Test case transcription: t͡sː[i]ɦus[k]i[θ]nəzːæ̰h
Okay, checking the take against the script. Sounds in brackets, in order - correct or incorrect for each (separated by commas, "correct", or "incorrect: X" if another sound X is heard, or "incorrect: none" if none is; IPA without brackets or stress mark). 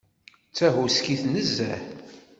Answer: incorrect: æ, correct, correct